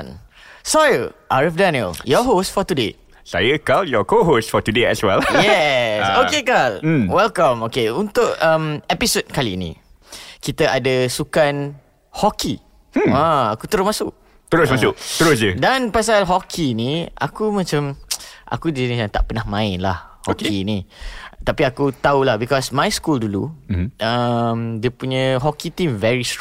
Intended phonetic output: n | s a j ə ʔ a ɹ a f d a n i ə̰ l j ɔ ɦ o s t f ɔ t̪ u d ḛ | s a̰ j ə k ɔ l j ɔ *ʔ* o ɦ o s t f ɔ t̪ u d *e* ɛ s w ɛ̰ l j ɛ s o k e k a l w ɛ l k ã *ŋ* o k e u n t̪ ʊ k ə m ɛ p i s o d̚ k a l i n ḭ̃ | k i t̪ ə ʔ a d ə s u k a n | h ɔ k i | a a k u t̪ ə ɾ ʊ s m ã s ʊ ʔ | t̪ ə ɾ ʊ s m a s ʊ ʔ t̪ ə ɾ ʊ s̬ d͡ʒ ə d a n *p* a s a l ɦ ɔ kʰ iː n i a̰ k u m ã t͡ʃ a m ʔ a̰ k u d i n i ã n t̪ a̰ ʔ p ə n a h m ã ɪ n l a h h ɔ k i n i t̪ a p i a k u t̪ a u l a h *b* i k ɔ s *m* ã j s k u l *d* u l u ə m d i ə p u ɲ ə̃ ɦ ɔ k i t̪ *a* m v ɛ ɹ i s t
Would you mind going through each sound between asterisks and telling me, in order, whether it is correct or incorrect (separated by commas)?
incorrect, correct, incorrect, correct, correct, correct, correct, incorrect